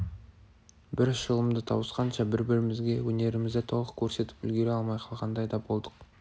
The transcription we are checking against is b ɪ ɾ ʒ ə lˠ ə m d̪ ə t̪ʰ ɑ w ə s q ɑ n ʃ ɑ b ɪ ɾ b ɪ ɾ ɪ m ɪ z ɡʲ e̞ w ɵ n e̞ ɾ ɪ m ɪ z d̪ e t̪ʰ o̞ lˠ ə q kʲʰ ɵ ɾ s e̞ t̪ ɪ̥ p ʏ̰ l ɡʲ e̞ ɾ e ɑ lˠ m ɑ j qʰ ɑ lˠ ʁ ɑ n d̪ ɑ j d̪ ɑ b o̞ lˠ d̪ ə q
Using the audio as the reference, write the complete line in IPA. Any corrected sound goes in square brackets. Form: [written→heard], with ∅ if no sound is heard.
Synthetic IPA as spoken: b ɪ ɾ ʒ ə lˠ ə m d̪ ə t̪ʰ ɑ w ə s q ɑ n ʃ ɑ b ɪ ɾ b ɪ ɾ ɪ m ɪ z ɡʲ e̞ w ɵ n e̞ ɾ ɪ m ɪ z d̪ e t̪ʰ o̞ lˠ ə q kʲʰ ɵ ɾ s e̞ t̪ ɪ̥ p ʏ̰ l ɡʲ e̞ ɾ e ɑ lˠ m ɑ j qʰ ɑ lˠ ʁ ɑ n d̪ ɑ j d̪ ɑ b o̞ lˠ d̪ ə q

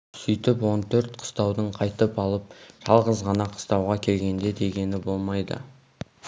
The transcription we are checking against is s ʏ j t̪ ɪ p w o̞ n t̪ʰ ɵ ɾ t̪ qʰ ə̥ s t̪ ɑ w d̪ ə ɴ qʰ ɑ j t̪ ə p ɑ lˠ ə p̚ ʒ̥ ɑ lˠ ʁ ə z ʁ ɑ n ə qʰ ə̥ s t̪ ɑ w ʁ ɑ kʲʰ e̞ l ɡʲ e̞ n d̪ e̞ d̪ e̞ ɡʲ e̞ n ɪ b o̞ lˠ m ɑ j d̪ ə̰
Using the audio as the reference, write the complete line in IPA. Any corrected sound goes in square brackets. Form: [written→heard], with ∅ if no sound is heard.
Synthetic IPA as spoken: s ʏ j t̪ ɪ p w o̞ n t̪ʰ ɵ ɾ t̪ qʰ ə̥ s t̪ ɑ w d̪ ə ɴ qʰ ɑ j t̪ ə p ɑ lˠ ə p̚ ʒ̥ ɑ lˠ ʁ ə z ʁ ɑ n [ə→ɑ] qʰ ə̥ s t̪ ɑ w ʁ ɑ kʲʰ e̞ l ɡʲ e̞ n d̪ e̞ d̪ e̞ ɡʲ e̞ n ɪ b o̞ lˠ m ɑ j d̪ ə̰

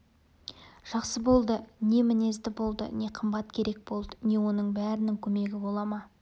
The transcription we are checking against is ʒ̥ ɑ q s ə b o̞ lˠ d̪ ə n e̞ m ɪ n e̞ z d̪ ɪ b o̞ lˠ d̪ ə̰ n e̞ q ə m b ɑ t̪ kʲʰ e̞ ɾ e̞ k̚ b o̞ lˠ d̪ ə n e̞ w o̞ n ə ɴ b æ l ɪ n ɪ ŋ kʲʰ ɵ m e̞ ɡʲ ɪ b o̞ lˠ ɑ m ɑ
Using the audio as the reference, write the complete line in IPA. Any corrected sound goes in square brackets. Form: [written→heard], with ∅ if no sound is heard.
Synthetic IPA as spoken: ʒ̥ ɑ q s ə b o̞ lˠ d̪ ə n e̞ m ɪ n e̞ z d̪ ɪ b o̞ lˠ d̪ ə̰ n e̞ [q→qʰ] ə m b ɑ t̪ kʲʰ e̞ ɾ e̞ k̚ b o̞ lˠ d̪ ə n e̞ w o̞ n ə ɴ b æ [l→ɾ] ɪ n ɪ ŋ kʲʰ ɵ m e̞ ɡʲ ɪ b o̞ lˠ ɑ m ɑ

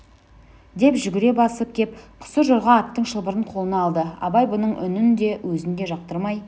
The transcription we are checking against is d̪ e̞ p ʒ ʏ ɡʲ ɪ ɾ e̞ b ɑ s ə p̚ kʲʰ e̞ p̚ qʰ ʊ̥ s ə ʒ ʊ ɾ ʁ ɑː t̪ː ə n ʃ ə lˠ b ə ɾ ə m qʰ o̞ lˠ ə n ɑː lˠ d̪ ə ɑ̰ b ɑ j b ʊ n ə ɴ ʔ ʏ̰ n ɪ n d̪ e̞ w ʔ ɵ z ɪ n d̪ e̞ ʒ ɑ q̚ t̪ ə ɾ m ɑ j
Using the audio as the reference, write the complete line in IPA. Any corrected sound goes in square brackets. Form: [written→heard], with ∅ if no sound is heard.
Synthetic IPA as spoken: d̪ e̞ p ʒ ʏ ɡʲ ɪ ɾ e̞ b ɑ s ə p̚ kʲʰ e̞ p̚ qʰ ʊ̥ s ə ʒ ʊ ɾ ʁ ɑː t̪ː ə [n→ɴ] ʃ ə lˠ b ə ɾ ə [m→ɴ] qʰ o̞ lˠ ə n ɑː lˠ d̪ ə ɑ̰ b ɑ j b ʊ n ə ɴ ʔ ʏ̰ n ɪ n d̪ e̞ w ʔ ɵ z ɪ n d̪ e̞ ʒ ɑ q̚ t̪ ə ɾ m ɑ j

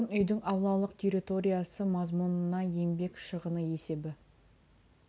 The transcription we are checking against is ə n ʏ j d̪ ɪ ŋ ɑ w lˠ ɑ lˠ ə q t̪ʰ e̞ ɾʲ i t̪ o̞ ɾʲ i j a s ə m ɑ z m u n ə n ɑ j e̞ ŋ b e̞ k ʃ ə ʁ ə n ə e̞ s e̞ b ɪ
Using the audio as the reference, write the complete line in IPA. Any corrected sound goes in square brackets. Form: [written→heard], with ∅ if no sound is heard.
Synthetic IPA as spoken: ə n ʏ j d̪ ɪ ŋ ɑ w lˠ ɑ lˠ ə q t̪ʰ e̞ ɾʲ i t̪ o̞ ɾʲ i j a s ə m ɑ z m u n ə n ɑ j e̞ [ŋ→m] b e̞ k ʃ ə ʁ ə n ə e̞ s e̞ b ɪ

